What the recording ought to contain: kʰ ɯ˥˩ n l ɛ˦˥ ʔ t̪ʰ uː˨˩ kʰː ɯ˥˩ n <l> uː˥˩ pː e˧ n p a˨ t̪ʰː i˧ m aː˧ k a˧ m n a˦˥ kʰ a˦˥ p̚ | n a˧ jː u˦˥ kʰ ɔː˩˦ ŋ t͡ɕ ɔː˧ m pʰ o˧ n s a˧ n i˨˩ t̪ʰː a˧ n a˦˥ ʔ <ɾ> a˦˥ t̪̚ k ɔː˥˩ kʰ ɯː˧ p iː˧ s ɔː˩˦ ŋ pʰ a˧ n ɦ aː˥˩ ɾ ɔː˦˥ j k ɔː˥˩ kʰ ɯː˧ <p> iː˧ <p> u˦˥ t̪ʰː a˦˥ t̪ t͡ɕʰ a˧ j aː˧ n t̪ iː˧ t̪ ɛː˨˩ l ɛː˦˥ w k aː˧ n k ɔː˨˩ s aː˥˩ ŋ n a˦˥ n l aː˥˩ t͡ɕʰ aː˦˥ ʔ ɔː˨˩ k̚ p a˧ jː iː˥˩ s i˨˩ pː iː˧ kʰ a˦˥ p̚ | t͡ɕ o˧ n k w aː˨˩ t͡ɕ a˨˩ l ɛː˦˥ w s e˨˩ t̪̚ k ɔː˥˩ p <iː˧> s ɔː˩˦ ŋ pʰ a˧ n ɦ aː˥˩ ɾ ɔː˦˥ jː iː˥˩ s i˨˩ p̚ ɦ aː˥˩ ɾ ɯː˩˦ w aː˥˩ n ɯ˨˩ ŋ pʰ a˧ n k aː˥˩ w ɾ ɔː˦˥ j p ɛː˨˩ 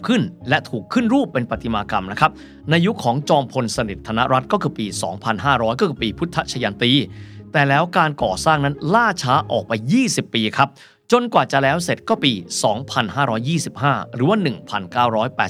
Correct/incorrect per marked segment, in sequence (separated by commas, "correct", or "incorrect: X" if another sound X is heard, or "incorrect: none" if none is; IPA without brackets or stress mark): incorrect: ɾ, correct, correct, incorrect: pʰ, correct